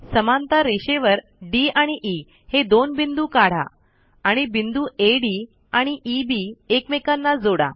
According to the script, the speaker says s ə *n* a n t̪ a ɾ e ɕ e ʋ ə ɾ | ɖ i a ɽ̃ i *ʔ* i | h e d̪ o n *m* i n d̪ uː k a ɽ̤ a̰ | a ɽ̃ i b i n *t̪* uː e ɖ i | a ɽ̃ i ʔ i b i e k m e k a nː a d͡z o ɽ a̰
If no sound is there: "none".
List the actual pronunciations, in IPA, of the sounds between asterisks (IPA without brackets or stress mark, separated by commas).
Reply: m, ʔ, b, d̪